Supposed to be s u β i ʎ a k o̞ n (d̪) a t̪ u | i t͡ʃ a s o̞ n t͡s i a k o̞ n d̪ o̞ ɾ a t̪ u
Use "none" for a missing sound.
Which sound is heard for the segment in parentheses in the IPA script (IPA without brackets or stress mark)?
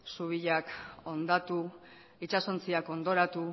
d̪